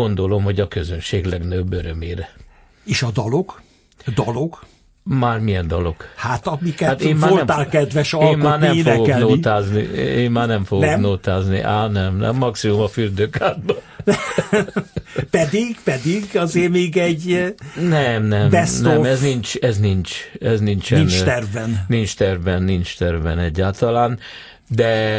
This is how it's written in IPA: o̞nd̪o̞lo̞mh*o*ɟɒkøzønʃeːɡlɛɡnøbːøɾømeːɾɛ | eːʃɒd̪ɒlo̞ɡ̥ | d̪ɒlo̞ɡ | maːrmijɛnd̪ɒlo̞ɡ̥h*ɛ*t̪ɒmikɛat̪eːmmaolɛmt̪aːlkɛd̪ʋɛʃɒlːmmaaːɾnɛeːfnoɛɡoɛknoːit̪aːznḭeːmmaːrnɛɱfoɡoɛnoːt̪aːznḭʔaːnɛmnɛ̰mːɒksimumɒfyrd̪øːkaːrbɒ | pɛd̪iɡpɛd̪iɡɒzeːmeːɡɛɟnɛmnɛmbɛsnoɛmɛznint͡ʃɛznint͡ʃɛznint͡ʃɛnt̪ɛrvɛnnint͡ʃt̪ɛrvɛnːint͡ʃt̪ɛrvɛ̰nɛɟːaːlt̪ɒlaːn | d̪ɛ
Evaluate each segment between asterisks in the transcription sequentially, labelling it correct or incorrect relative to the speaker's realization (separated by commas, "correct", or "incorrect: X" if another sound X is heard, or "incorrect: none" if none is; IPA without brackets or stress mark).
correct, incorrect: a